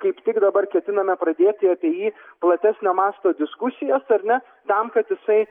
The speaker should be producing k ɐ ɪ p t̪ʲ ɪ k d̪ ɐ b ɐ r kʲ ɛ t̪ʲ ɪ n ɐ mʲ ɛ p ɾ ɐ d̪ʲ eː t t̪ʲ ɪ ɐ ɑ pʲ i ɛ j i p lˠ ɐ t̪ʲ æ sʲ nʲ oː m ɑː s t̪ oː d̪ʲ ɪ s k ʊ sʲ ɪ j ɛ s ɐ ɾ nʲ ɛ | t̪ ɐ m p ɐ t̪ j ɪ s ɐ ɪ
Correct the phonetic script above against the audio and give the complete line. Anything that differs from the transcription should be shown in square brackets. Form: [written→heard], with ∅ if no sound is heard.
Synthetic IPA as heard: k ɐ ɪ p t̪ʲ ɪ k d̪ ɐ b ɐ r kʲ ɛ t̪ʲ ɪ n ɐ mʲ ɛ p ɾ ɐ d̪ʲ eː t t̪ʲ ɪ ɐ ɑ pʲ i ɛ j [i→iː] p lˠ ɐ t̪ʲ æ sʲ nʲ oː m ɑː s t̪ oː d̪ʲ ɪ s k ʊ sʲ ɪ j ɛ s ɐ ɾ nʲ ɛ | t̪ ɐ m [p→k] ɐ t̪ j ɪ s ɐ ɪ